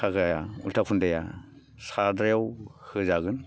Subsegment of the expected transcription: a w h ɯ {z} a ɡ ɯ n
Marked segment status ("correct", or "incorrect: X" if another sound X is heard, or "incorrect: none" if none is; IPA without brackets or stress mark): correct